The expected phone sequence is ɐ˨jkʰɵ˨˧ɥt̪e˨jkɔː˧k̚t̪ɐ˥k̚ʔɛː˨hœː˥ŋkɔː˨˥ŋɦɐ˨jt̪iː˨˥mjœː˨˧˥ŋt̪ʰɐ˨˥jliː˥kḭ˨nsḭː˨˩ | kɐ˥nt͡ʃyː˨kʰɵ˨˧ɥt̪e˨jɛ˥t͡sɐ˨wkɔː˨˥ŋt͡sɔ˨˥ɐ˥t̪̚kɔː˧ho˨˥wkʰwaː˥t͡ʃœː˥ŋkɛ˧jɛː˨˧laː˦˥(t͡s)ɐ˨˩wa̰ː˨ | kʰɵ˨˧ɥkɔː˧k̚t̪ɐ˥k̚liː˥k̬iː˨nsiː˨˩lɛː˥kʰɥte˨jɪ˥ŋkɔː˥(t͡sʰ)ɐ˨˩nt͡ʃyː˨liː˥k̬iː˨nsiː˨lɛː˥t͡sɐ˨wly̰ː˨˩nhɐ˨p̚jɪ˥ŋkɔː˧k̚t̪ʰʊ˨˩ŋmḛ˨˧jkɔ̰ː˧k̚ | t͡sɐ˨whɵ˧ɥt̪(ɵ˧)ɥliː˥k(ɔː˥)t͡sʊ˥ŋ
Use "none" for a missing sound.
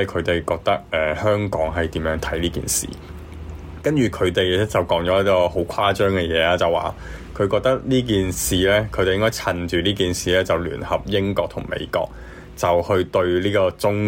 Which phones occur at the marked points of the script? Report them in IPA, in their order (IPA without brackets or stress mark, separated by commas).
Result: t͡s, t͡sʰ, ɵ˧, ɔː˧